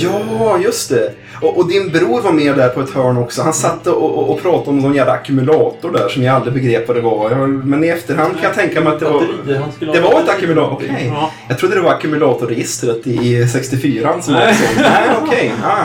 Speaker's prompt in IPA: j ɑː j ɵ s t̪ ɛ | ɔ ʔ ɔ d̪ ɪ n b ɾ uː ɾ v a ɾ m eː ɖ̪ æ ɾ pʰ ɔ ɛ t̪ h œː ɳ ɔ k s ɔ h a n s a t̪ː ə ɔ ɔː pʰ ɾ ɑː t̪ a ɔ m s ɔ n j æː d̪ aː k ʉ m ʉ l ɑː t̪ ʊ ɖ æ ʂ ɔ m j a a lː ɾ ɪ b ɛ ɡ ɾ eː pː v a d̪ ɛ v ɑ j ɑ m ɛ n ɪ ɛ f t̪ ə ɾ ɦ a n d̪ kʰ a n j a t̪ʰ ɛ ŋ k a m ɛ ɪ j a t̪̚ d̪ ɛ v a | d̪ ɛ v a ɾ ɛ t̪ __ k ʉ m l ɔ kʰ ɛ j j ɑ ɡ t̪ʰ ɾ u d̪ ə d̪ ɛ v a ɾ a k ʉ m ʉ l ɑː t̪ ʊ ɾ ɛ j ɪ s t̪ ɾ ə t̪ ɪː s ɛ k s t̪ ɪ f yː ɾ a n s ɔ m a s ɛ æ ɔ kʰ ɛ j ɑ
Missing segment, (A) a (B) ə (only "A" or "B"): A